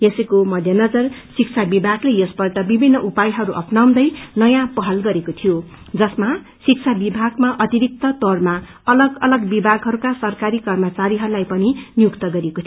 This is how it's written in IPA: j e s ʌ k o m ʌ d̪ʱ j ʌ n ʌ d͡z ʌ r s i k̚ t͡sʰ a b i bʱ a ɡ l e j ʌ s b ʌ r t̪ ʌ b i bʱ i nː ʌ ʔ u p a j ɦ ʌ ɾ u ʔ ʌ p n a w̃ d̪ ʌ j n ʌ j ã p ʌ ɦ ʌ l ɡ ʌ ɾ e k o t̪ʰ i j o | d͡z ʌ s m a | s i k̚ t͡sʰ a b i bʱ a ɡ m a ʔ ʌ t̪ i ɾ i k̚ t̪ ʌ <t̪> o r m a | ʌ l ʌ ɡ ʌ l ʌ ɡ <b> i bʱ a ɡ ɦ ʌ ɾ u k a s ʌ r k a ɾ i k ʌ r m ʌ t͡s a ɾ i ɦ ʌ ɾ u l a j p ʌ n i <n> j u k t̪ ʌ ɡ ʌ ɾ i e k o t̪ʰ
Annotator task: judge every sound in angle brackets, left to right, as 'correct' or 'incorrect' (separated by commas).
correct, correct, correct